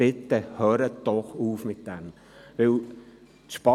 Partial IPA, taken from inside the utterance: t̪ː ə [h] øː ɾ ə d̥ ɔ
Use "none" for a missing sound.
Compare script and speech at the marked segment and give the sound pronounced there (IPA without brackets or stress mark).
h